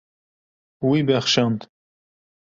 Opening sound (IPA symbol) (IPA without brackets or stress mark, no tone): w